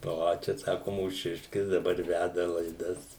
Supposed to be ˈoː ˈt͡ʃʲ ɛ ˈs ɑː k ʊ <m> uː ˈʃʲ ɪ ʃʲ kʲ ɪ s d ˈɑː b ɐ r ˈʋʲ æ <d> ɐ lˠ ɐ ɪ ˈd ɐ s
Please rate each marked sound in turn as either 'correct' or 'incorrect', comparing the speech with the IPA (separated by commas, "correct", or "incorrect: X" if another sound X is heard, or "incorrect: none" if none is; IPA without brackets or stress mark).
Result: correct, correct